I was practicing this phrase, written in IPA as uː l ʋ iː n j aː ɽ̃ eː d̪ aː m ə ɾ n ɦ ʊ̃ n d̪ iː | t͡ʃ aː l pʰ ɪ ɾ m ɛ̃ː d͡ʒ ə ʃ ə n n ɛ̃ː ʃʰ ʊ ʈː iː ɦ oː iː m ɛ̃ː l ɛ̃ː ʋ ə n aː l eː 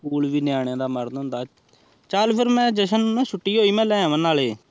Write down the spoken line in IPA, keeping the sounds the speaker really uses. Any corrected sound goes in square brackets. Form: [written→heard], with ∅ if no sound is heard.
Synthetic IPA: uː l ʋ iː n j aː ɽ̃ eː d̪ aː m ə ɾ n ɦ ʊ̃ n d̪ [iː→aː] | t͡ʃ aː l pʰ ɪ ɾ m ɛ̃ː d͡ʒ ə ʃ ə n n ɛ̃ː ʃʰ ʊ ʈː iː ɦ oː iː m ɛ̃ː l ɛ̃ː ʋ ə n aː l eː